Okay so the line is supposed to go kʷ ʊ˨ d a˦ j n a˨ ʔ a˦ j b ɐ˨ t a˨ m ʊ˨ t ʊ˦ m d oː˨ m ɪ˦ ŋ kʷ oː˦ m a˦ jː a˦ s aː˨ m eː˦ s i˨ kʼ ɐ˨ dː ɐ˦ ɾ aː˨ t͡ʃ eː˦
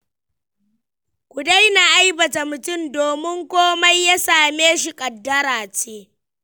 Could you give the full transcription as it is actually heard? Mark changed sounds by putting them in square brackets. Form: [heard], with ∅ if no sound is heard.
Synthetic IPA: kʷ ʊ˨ d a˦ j n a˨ ʔ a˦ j b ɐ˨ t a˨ m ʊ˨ t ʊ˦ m d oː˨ m ɪ˦ ŋ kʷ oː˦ m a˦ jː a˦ s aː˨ m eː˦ [ʃ] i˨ kʼ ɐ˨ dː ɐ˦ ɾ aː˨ t͡ʃ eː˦